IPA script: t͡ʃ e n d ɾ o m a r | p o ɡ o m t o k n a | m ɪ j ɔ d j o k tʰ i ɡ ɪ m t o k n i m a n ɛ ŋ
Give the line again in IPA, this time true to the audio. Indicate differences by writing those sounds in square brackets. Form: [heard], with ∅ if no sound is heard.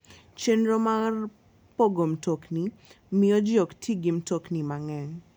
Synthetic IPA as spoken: t͡ʃ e n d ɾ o m a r | p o ɡ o m t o k n [i] | m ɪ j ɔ [d͡ʒ] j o k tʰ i ɡ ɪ m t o k n i m a [ŋ] ɛ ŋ